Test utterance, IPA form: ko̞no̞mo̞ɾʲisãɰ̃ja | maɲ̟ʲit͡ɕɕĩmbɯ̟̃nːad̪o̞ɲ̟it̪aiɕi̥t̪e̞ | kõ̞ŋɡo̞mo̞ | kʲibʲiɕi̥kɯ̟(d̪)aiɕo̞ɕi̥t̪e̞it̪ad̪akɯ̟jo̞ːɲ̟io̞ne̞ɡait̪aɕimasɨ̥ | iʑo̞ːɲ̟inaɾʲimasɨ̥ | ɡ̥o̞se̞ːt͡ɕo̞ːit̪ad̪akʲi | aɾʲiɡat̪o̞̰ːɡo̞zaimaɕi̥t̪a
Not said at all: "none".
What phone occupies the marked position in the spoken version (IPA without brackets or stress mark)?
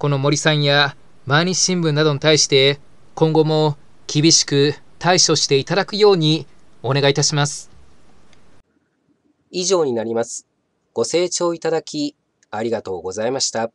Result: t̪